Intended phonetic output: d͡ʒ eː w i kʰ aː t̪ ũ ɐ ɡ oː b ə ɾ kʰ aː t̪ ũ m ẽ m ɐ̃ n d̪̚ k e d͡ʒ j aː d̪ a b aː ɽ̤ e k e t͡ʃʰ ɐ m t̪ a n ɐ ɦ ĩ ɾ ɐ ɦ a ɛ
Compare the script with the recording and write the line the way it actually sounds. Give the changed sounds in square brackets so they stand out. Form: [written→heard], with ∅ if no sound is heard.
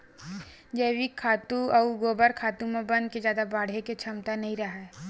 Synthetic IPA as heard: d͡ʒ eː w i kʰ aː t̪ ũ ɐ ɡ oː b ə ɾ kʰ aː t̪ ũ m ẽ [m→b] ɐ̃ n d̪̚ k e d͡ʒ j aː d̪ a b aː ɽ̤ e k e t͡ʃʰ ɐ m t̪ a n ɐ ɦ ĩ ɾ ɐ ɦ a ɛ